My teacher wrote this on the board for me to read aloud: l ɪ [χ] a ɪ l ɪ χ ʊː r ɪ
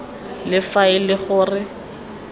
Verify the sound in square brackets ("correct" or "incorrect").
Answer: incorrect